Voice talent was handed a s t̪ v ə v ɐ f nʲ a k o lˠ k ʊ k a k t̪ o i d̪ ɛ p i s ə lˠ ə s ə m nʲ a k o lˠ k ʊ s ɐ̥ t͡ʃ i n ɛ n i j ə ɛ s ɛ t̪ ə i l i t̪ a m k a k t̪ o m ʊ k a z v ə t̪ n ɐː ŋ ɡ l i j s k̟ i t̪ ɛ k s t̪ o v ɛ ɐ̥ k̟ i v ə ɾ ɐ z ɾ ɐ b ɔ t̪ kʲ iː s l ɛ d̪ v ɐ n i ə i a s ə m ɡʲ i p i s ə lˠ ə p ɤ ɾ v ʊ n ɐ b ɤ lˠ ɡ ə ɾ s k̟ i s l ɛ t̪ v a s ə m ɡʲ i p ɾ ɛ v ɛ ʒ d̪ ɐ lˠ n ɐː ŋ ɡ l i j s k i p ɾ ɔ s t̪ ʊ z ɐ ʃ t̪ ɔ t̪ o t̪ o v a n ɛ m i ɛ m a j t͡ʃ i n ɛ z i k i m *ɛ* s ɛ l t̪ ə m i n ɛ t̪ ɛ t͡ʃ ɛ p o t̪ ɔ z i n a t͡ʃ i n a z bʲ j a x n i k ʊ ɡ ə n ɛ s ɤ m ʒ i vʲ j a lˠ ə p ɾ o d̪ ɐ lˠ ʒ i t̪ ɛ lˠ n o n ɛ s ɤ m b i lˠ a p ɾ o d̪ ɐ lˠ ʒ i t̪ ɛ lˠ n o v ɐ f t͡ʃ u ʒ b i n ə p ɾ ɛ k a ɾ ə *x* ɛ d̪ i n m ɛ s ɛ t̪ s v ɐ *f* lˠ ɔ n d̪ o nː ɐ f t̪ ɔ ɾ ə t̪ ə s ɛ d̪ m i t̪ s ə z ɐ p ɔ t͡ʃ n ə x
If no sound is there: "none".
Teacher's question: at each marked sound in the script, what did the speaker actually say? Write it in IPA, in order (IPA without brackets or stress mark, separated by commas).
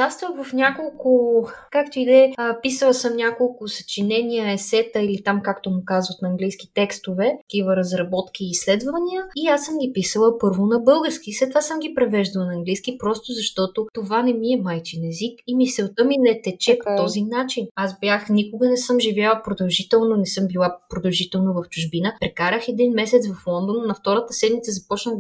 i, x, f